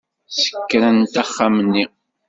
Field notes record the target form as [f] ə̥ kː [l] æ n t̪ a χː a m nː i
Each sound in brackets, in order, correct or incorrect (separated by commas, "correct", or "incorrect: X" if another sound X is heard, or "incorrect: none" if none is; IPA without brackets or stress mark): incorrect: s, incorrect: ɾ